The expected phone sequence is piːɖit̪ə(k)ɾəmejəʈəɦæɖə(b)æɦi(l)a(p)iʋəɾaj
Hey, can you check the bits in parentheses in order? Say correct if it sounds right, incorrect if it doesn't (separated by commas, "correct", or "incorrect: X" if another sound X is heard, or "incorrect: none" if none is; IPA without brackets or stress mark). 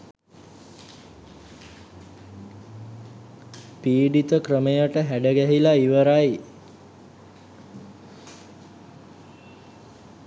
correct, incorrect: ɡ, correct, incorrect: none